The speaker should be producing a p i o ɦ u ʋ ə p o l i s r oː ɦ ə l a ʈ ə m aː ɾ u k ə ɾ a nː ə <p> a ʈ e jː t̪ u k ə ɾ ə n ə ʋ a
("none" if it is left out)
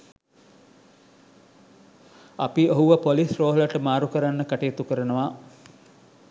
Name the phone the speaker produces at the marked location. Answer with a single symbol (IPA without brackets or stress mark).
k